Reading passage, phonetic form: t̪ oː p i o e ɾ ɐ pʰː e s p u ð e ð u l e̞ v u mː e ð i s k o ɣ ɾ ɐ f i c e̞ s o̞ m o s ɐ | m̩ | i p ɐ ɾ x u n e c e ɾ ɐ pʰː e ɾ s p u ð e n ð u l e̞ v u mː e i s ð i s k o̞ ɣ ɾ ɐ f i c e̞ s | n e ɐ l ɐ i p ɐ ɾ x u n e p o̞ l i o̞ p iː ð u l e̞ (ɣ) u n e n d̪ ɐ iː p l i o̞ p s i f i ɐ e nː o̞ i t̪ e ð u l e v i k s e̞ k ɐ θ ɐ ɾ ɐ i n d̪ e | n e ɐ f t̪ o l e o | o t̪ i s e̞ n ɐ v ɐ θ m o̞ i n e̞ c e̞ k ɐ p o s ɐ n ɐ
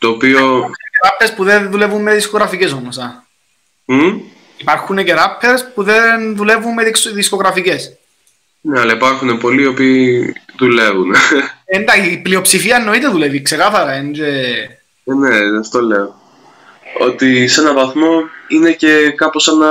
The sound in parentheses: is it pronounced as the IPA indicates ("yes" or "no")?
no